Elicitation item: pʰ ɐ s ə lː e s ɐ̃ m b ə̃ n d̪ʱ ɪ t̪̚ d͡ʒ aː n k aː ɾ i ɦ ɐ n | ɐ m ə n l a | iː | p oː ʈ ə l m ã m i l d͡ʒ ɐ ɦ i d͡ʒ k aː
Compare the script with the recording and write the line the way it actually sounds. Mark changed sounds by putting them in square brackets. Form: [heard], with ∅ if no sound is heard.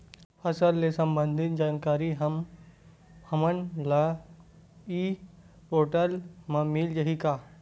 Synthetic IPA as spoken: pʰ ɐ s ə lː e s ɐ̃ m b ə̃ n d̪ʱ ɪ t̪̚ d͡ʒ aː n k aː ɾ i ɦ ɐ [m] | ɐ m ə n l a | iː | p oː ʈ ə l m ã m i l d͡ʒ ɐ ɦ i [∅] k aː

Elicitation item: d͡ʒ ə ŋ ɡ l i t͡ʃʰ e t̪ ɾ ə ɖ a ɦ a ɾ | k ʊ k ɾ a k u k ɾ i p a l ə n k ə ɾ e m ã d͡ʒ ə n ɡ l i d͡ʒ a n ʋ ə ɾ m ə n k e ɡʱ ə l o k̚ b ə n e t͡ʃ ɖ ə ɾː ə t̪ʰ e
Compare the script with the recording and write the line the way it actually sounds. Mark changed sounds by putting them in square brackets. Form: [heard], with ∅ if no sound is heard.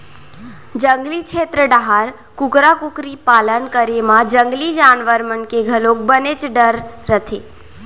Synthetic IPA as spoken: d͡ʒ ə ŋ ɡ l i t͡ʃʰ e t̪ ɾ ə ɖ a ɦ a ɾ | k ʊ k ɾ a k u k ɾ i p a l ə n k ə ɾ e m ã d͡ʒ ə [ŋ] ɡ l i d͡ʒ a n ʋ ə ɾ m ə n k e ɡʱ ə l o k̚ b ə n e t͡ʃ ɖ ə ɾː ə t̪ʰ e

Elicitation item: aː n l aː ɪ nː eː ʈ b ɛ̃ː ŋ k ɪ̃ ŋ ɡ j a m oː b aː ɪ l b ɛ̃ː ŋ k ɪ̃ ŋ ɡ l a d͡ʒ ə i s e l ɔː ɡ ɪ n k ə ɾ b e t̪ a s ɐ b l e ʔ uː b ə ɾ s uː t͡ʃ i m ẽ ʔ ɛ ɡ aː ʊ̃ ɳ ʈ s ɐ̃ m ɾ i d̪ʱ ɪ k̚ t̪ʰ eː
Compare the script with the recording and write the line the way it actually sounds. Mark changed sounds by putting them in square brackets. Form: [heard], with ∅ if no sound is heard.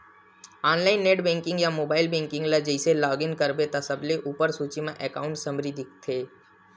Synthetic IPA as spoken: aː n l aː ɪ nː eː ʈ b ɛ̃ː ŋ k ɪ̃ ŋ ɡ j a m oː b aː ɪ l b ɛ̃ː ŋ k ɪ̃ ŋ ɡ l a d͡ʒ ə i s e l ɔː ɡ ɪ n k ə ɾ b e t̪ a s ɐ b l e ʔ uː [p] ə ɾ s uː t͡ʃ i m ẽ ʔ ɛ [k] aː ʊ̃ ɳ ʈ s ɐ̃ m ɾ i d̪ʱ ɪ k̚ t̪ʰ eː

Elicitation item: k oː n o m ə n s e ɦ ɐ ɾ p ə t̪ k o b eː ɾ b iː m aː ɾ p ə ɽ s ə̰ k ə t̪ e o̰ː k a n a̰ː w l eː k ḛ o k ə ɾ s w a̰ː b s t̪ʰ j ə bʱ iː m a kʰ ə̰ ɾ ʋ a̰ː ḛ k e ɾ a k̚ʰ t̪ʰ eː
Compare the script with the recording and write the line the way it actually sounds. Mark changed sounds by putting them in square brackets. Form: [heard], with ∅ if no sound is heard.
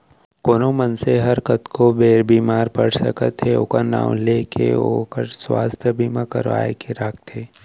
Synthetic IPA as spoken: k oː n o m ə n s e ɦ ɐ ɾ [k] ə t̪ k o b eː ɾ b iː m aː ɾ p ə ɽ s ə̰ k ə t̪ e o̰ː k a n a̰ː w l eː k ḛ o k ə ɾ s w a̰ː [∅] s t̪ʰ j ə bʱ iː m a [k] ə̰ ɾ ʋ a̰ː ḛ k e ɾ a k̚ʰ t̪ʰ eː

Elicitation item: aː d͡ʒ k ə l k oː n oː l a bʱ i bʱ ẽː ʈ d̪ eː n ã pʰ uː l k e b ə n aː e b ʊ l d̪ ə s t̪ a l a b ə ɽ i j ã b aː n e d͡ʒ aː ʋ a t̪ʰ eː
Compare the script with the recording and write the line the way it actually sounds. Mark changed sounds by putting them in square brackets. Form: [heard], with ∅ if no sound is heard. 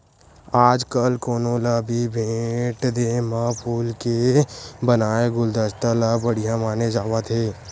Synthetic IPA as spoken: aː d͡ʒ k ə l k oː n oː l a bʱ i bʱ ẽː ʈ d̪ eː [m] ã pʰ uː l k e b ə n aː e [ɡ] ʊ l d̪ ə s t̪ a l a b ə ɽ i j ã [m] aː n e d͡ʒ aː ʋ a t̪ʰ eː

